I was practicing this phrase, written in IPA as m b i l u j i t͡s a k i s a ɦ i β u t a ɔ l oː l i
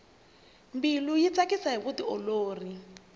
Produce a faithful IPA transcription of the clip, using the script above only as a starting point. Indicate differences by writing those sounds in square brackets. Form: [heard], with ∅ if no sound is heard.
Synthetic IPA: m b i l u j i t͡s a k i s a ɦ i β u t [i] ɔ l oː [r] i

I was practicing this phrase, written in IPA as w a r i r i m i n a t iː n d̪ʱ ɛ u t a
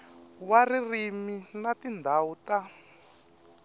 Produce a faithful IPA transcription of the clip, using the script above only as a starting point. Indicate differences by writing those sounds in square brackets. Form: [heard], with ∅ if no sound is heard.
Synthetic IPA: w a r i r i m i n a t [i] n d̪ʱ [a] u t a

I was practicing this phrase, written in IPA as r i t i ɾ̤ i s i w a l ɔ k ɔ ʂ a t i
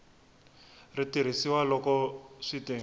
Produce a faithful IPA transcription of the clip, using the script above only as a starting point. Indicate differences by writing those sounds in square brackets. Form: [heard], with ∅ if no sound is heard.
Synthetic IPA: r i t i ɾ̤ i s i w a l ɔ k ɔ ʂ [i] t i

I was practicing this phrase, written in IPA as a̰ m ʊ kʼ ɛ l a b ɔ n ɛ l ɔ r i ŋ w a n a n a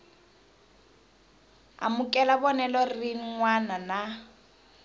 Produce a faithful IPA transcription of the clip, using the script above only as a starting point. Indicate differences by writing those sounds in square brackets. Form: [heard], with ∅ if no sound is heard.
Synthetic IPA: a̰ m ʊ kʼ ɛ l a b ɔ n ɛ l ɔ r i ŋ w a n a n a

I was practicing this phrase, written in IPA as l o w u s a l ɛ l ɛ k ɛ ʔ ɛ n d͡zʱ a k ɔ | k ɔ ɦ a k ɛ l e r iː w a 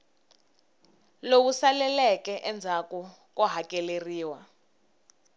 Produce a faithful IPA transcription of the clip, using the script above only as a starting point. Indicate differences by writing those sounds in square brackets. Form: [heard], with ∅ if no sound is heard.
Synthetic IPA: l o w u s a l ɛ l ɛ k ɛ ʔ ɛ n d͡zʱ a k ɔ | k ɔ ɦ a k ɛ l e r iː w a

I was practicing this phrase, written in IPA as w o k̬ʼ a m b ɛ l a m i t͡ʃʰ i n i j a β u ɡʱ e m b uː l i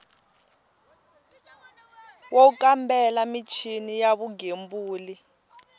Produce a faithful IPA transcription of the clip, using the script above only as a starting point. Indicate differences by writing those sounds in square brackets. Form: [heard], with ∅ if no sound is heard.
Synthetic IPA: w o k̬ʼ a m b ɛ l a m i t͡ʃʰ i n i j a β u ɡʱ e m b uː l i

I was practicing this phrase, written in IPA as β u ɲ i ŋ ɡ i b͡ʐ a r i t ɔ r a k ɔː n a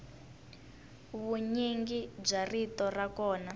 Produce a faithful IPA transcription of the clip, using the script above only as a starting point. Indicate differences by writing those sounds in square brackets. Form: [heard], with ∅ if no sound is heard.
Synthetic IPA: β u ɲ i ŋ ɡ i b͡ʐ a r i t ɔ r a k ɔː n a

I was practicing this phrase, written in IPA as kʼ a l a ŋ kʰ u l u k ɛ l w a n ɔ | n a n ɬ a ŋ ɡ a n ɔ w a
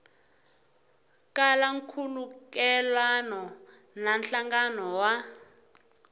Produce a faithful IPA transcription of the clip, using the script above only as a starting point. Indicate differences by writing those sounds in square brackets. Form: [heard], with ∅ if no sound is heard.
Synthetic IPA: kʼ a l a ŋ kʰ u l u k ɛ l w a n ɔ | n a n ɬ a ŋ ɡ a n ɔ w a

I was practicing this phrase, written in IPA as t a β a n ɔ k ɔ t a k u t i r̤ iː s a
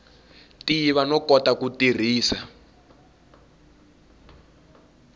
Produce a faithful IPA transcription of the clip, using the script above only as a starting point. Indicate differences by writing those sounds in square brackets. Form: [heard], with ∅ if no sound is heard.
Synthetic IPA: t [i] β a n ɔ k ɔ t a k u t i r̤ iː s a

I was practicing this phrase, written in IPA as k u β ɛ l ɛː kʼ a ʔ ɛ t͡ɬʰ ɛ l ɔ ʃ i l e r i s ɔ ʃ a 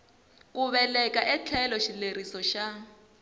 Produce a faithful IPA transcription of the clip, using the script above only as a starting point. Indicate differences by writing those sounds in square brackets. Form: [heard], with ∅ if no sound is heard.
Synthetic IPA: k u β ɛ l [ɛ] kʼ a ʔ ɛ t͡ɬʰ ɛ l ɔ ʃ i l e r i s ɔ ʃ a

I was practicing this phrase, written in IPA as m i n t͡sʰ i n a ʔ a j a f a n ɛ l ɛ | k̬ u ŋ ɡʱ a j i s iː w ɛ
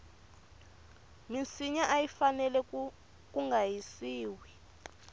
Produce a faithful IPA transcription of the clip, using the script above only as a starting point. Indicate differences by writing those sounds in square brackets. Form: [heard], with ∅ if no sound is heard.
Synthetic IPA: m i n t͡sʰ i [ɲ] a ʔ a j [i] f a n ɛ l ɛ | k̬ u ŋ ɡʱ a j i s iː w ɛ

